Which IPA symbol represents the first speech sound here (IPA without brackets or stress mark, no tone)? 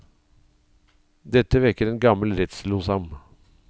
d̪